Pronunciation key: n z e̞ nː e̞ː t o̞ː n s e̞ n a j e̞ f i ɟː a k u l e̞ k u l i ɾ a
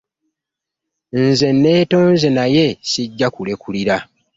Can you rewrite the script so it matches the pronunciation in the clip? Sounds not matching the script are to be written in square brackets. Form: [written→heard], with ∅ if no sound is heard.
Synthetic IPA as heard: n z e̞ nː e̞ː t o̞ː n [s→z] e̞ n a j e̞ [f→s] i ɟː a k u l e̞ k u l i ɾ a